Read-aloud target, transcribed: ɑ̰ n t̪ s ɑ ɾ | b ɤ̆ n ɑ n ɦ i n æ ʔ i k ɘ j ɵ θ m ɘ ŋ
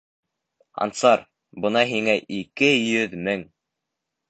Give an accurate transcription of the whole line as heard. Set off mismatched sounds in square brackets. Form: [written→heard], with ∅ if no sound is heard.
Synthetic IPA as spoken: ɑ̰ n t̪ s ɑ ɾ | b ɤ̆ n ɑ [n→∅] ɦ i [n→ŋ] æ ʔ i k ɘ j ɵ [θ→ð] m ɘ ŋ